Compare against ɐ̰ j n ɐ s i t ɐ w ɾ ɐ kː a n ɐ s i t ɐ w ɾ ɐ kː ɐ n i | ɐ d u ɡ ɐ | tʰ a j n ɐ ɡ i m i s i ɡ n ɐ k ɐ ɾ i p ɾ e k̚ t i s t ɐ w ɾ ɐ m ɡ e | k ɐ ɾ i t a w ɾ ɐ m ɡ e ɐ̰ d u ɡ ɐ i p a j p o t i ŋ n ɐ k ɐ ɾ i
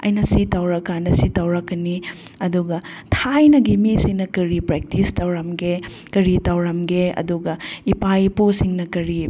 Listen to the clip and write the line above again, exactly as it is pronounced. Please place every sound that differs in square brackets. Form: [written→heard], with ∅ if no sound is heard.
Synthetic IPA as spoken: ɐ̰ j n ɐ s i t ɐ w ɾ ɐ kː a n ɐ s i t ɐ w ɾ ɐ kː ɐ n i | ɐ d u ɡ ɐ | tʰ a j n ɐ ɡ i m i s i [ɡ→ŋ] n ɐ k ɐ ɾ i p ɾ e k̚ t i s t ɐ w ɾ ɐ m ɡ e | k ɐ ɾ i t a w ɾ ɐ m ɡ e ɐ̰ d u ɡ ɐ i p a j p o [t→s] i ŋ n ɐ k ɐ ɾ i